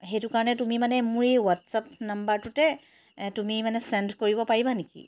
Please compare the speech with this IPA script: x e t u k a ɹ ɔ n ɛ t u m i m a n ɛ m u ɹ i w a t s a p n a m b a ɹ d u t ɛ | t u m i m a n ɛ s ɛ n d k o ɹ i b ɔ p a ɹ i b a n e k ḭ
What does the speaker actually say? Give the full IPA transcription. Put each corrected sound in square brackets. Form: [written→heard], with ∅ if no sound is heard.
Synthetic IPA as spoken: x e t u k a ɹ ɔ n ɛ t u m i m a n ɛ m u ɹ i w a t s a p n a m b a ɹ [d→t] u t ɛ | t u m i m a n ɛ s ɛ n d k o ɹ i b ɔ p a ɹ i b a n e k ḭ

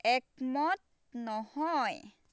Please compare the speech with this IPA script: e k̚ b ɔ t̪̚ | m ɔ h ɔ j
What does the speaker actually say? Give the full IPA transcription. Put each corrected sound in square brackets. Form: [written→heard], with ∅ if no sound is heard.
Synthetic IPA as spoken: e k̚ [b→m] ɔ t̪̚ | [m→n] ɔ h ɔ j

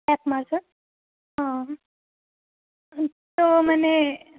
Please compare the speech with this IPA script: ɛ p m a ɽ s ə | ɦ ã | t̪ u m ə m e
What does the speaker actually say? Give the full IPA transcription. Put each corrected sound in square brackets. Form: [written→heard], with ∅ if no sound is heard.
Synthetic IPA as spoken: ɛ p m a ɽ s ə | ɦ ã | t̪ [u→o] m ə [m→n] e

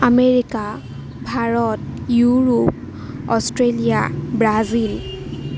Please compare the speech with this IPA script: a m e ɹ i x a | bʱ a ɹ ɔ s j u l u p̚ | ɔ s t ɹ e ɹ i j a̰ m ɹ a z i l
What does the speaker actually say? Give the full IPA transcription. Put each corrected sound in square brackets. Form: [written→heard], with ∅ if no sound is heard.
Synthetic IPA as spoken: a m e ɹ i [x→k] a | bʱ a ɹ ɔ [s→t] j u [l→ɹ] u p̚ | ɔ s t ɹ e [ɹ→l] i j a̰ [m→b] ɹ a z i l

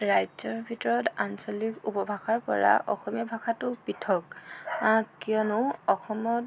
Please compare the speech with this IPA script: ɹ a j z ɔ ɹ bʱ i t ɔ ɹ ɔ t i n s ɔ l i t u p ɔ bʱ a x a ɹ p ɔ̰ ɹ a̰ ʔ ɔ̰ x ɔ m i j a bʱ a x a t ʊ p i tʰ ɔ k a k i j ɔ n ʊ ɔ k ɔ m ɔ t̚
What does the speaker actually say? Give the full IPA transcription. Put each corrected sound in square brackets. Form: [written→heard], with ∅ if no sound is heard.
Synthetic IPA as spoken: ɹ a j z ɔ ɹ bʱ i t ɔ ɹ ɔ t [i→a] n s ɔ l i [t→k] u p ɔ bʱ a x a ɹ p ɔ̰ ɹ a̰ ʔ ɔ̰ x ɔ m i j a bʱ a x a t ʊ p i tʰ ɔ k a k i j ɔ n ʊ ɔ [k→x] ɔ m ɔ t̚

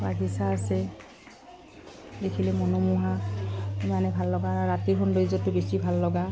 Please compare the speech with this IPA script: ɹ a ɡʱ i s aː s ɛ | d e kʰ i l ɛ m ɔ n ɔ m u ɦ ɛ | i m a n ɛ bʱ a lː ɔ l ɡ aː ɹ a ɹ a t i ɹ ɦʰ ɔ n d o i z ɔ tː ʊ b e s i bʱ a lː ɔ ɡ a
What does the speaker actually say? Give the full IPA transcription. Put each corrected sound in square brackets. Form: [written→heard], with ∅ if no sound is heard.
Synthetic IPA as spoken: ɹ a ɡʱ i s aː s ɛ | d e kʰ i l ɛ m ɔ n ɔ m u ɦ [ɛ→a] | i m a n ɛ bʱ a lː ɔ [l→∅] ɡ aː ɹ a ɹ a t i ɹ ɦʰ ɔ n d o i z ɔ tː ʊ b e s i bʱ a lː ɔ ɡ a

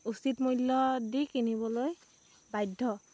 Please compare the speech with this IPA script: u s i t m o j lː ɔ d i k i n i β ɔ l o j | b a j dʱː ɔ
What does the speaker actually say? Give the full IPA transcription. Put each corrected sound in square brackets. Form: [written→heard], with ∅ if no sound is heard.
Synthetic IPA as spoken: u s i t m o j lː ɔ d i k i n i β ɔ l o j | b a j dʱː ɔ

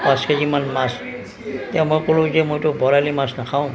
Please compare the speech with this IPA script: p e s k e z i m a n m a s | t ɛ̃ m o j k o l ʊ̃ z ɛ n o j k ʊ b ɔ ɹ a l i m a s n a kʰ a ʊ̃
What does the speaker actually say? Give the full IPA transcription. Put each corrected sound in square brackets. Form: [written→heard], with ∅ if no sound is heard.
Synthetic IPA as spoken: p [e→a] s k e z i m a n m a s | t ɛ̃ m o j k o l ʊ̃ z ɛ [n→m] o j [k→t] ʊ b ɔ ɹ a l i m a s n a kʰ a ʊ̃

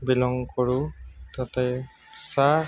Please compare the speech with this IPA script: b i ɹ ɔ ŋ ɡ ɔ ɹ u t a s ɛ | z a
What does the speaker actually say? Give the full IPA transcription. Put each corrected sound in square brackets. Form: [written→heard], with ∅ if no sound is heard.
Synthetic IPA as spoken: b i [ɹ→l] ɔ ŋ [ɡ→k] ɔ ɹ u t a [s→t] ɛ | [z→s] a

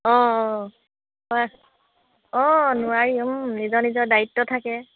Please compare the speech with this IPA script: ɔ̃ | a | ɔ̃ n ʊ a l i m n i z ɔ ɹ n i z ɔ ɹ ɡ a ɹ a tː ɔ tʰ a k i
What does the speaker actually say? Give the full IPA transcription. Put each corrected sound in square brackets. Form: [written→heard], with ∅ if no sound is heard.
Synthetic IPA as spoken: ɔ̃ | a | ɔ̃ n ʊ a [l→ɹ] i m n i z ɔ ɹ n i z ɔ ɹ [ɡ→d] a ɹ [a→i] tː ɔ tʰ a k [i→ɛ]

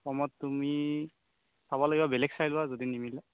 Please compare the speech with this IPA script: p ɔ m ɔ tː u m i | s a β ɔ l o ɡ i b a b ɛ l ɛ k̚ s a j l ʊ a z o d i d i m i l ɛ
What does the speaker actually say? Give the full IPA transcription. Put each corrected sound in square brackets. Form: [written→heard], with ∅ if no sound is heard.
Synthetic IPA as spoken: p ɔ m ɔ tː u m i | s a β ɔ l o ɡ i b a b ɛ l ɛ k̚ s a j l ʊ a z o d i [d→n] i m i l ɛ

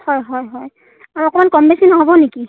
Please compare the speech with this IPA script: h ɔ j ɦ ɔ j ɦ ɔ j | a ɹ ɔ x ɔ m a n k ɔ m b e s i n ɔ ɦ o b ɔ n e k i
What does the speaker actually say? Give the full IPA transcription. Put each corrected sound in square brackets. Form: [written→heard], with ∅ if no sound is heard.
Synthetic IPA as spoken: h ɔ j ɦ ɔ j ɦ ɔ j | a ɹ ɔ [x→k] ɔ m a n k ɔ m b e s i n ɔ ɦ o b ɔ n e k i

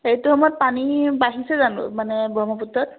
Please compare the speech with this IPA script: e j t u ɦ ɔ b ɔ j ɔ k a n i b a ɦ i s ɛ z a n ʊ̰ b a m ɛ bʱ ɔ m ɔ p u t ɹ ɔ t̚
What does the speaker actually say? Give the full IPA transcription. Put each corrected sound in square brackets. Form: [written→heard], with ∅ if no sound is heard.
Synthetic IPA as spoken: e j t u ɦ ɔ [b→m] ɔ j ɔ [k→p] a n i b a ɦ i s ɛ z a n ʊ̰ [b→m] a [m→n] ɛ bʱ ɔ m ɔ p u t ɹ ɔ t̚

